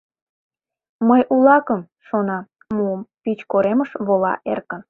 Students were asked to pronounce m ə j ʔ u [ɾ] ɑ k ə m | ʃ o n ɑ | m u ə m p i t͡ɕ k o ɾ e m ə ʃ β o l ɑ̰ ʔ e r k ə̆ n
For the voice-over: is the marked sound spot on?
no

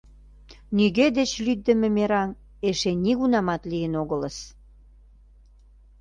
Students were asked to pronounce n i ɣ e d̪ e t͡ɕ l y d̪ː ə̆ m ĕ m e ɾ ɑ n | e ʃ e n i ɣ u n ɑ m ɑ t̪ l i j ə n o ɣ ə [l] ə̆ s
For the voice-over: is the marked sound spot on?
yes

